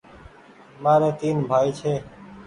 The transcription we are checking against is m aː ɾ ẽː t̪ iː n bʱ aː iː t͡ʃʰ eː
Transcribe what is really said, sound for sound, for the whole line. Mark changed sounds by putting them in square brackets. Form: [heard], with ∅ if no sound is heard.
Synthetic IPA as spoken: m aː ɾ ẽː t̪ iː n bʱ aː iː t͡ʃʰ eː